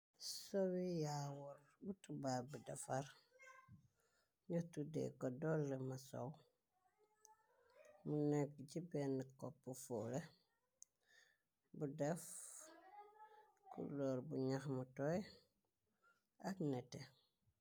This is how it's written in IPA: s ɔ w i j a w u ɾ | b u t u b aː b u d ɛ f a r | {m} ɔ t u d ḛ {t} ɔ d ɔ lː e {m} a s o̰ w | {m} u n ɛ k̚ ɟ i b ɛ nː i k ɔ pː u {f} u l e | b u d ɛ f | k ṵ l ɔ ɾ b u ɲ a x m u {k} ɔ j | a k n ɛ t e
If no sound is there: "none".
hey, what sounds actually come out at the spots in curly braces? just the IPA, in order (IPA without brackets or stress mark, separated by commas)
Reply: ɲ, k, m, m, f, t